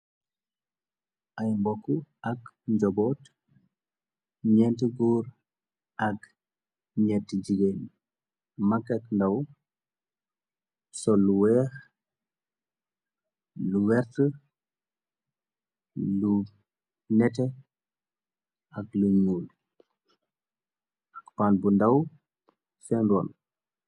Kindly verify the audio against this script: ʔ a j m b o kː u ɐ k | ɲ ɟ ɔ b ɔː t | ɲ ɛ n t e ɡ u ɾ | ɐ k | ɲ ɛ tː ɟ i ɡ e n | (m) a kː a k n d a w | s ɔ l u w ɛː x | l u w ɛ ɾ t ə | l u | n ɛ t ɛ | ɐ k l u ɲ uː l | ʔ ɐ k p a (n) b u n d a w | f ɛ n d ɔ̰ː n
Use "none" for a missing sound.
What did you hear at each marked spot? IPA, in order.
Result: m, n

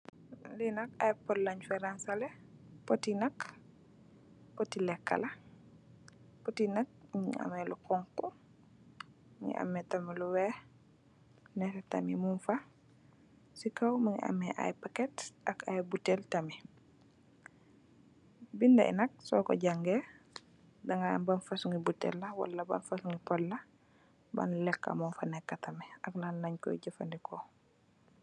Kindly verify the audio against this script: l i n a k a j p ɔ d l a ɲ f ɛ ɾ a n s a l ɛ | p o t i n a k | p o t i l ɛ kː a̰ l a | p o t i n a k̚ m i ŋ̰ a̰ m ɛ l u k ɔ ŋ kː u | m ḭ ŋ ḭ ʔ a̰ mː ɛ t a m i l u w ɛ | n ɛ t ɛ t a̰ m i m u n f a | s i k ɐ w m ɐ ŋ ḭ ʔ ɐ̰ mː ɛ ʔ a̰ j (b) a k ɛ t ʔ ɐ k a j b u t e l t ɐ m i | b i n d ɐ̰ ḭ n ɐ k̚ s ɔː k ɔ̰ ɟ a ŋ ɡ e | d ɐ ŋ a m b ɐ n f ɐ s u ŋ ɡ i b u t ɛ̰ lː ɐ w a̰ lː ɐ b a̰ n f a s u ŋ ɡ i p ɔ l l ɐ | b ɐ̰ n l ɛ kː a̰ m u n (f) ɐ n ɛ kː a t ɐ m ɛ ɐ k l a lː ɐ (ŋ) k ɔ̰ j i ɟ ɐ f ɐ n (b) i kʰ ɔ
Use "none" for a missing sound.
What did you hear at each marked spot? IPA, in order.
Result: p, f, ɲ, d

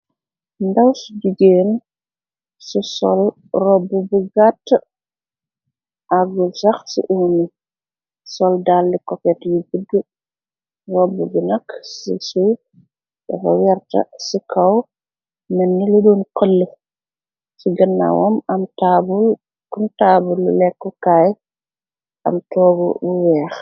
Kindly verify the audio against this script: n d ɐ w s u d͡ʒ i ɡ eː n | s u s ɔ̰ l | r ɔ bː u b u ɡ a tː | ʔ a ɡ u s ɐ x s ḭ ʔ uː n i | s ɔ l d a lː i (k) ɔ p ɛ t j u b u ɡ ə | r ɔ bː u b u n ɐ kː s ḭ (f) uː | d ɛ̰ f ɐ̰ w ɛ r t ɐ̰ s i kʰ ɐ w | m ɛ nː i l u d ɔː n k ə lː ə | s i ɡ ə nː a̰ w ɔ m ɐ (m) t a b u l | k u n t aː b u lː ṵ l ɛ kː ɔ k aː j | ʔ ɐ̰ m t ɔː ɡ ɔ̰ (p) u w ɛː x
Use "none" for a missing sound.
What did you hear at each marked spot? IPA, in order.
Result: k, s, m, b

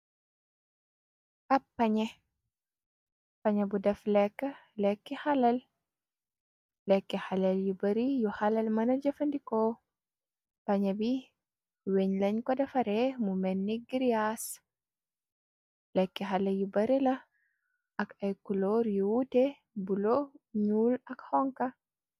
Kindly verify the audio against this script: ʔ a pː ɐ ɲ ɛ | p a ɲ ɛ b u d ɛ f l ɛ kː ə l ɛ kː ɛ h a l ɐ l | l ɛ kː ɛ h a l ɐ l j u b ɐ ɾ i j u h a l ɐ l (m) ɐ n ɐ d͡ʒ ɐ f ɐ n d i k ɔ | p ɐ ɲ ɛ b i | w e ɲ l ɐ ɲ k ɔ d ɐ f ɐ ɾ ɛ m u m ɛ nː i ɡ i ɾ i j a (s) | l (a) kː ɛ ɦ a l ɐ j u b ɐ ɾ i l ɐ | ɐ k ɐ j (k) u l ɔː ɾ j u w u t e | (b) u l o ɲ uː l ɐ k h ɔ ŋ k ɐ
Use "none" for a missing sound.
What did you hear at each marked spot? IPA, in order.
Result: m, s, ɛ, k, b

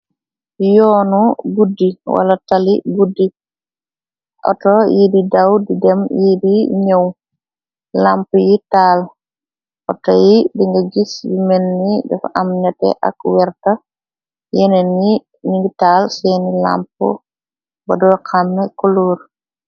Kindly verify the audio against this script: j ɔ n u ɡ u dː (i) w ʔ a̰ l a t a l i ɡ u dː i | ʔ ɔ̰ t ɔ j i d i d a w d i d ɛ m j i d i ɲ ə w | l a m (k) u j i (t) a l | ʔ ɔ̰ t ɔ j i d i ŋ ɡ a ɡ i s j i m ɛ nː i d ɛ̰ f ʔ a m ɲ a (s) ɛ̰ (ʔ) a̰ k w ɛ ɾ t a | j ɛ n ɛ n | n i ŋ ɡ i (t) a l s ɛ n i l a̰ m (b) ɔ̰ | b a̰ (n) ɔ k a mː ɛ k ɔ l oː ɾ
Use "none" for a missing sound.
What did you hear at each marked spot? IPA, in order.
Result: i, p, t, t, ʔ, t, p, d

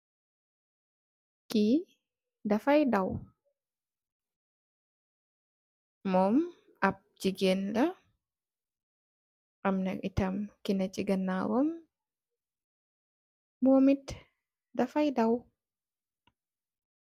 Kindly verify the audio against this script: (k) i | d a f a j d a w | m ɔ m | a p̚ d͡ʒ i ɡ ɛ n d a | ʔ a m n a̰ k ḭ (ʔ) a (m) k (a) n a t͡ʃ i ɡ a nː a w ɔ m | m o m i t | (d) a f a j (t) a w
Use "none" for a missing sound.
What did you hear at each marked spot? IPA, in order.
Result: k, t, m, i, d, d

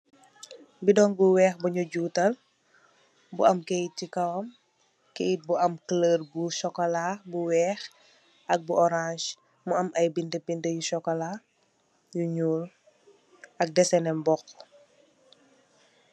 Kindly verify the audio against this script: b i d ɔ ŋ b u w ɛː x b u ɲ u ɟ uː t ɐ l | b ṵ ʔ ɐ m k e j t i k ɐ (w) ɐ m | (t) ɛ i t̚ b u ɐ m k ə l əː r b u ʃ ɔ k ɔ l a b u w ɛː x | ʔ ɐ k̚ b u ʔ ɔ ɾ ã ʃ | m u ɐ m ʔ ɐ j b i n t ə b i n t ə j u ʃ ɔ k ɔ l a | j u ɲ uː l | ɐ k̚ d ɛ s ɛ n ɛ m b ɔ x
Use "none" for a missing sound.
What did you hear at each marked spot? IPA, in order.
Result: w, k

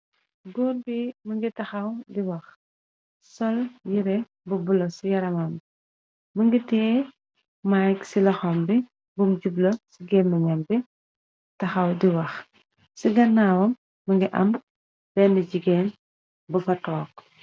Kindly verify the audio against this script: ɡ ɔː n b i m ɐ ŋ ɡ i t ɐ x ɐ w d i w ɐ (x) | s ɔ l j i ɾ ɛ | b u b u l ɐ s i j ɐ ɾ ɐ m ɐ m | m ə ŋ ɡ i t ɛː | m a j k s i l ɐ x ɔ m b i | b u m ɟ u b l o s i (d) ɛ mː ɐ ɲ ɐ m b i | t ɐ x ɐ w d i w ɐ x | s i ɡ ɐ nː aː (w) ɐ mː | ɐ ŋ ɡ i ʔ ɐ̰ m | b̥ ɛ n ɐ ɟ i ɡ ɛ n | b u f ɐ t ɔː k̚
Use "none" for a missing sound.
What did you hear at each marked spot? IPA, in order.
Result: x, ɡ, w

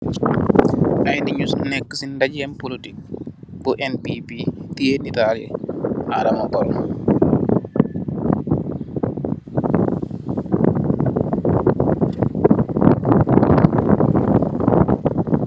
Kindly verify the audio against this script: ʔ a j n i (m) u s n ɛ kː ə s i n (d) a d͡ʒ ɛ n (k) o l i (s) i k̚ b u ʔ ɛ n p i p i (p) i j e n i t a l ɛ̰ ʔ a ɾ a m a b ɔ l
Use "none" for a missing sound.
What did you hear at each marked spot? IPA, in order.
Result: ɲ, d, p, t, t

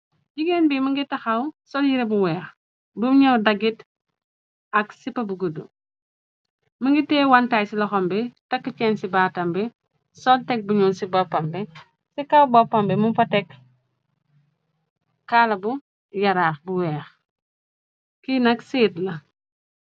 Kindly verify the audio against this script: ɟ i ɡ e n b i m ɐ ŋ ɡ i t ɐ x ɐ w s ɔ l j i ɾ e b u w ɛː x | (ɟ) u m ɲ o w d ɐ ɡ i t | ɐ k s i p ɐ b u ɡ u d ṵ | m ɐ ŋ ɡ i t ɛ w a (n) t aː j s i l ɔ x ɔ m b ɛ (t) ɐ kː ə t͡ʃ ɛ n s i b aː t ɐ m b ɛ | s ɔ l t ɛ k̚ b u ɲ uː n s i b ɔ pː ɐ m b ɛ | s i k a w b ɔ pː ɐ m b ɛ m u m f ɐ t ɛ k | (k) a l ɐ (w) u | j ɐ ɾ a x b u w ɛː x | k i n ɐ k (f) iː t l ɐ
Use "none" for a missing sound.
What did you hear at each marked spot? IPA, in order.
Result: b, n, t, k, b, s

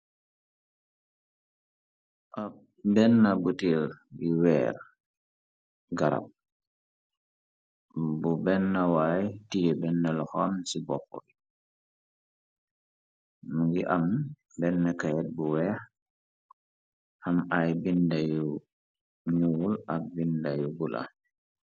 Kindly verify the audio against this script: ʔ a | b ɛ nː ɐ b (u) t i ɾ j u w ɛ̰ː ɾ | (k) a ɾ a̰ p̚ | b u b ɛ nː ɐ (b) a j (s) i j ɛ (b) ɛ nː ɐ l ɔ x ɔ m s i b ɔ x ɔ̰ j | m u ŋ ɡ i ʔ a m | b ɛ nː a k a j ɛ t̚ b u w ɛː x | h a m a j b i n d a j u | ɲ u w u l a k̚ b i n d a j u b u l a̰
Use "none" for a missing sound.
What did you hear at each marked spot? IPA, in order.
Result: u, ɡ, w, t, b

